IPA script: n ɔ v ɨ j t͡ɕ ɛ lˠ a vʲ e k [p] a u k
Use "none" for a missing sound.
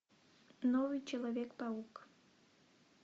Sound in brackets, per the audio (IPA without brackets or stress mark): p